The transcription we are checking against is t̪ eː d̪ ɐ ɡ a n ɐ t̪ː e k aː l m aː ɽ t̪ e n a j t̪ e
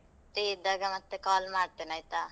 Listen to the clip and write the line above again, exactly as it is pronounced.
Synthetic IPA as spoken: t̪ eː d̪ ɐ ɡ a m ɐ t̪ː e k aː l m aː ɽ t̪ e n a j t̪ a

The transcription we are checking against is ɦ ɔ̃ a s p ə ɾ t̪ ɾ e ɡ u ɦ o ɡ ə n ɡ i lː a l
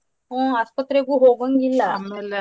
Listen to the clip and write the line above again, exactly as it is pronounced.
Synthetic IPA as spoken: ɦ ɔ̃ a s p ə t̪ ɾ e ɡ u ɦ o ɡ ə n ɡ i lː a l

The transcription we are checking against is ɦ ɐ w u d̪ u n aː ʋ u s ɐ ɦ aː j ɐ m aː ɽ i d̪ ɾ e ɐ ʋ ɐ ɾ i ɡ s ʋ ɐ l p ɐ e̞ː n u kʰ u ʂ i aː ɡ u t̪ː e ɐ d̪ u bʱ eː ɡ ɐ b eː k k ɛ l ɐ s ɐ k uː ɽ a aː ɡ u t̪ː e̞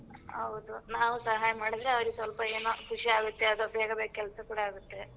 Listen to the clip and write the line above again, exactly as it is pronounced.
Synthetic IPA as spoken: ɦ ɐ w u d̪ u n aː ʋ u s ɐ ɦ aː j ɐ m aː ɽ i d̪ ɾ e ɐ ʋ ɐ ɾ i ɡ s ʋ ɐ l p ɐ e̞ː n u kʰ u ʂ i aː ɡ u t̪ː e ɐ d̪ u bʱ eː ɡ ɐ b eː k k ɛ l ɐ s ɐ k uː ɽ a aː ɡ u t̪ː e̞

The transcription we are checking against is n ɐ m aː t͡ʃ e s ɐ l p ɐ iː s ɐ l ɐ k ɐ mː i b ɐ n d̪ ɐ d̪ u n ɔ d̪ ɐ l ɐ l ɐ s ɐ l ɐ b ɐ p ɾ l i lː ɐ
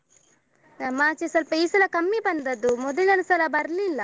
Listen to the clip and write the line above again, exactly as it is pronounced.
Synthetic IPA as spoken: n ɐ m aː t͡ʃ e s ɐ l p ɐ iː s ɐ l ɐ k ɐ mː i b ɐ n d̪ ɐ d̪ u m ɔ d̪ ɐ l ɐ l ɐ s ɐ l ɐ b ɐ ɾ l i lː ɐ

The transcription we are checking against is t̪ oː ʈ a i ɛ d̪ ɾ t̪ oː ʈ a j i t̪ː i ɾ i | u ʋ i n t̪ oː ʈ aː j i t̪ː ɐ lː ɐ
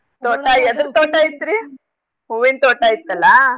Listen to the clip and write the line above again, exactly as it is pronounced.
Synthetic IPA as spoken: t̪ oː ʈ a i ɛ d̪ ɾ t̪ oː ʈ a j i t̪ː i ɾ i | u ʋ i n t̪ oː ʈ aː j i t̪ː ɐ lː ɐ

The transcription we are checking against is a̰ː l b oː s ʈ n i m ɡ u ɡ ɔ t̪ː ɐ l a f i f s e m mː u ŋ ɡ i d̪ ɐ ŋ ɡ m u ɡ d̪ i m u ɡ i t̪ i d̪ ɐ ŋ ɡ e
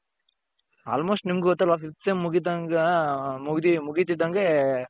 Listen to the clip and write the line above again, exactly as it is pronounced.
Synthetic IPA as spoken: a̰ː l m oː s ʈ n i m ɡ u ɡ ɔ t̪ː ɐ l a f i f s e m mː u ɡ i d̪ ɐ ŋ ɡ m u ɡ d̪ i m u ɡ i t̪ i d̪ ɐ ŋ ɡ e

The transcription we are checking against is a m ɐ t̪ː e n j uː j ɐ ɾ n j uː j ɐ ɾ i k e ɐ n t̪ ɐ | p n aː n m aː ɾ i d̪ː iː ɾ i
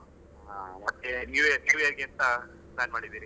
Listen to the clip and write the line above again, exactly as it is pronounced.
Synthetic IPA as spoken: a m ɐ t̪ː e n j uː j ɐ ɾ n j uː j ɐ ɾ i ɡ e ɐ n t̪ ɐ | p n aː n m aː ɽ i d̪ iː ɾ i

